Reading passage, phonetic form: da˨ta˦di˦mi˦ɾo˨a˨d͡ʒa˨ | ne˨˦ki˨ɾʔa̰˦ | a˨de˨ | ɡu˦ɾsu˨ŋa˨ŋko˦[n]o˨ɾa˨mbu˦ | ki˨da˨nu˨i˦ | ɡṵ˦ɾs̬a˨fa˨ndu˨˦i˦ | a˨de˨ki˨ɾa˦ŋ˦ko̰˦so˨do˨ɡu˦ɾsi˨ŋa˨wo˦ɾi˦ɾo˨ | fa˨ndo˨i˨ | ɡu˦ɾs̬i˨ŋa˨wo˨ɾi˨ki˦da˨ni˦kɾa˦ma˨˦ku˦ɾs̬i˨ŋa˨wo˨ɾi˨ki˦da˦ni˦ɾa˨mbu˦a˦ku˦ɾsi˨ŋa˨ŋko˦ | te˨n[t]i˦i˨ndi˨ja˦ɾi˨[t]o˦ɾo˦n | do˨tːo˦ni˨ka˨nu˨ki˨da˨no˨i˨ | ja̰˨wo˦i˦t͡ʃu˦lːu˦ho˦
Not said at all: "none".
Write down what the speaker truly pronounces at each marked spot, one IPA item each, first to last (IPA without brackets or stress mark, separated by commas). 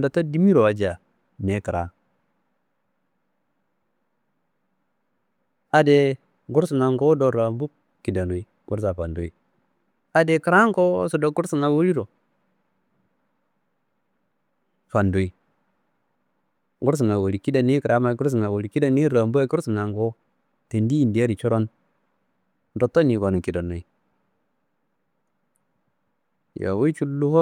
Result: d, d, t͡ʃ